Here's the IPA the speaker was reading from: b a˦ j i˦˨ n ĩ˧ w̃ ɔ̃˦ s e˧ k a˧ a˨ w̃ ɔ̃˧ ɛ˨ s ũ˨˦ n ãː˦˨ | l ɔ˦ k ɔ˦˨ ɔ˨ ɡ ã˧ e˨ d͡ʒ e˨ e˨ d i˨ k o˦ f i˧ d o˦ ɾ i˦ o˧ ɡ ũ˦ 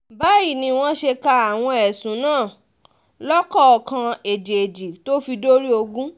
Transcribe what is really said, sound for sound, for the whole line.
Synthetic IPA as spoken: b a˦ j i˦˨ n ĩ˧ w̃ ɔ̃˦ ʃ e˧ k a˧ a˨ w̃ ɔ̃˧ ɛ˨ s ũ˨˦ n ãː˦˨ | l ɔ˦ k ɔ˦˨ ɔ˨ k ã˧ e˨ d͡ʒ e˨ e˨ d͡ʒ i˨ t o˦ f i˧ d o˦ ɾ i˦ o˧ ɡ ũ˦